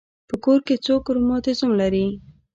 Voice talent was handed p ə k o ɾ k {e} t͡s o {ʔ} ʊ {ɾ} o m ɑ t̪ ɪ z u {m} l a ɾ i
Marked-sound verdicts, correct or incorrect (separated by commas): correct, incorrect, correct, correct